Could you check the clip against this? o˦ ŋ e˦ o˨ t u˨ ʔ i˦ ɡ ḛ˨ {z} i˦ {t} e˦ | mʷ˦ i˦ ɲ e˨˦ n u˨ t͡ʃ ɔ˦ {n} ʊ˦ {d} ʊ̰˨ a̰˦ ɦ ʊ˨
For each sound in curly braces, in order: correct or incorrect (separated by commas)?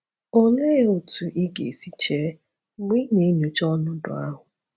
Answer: incorrect, incorrect, correct, correct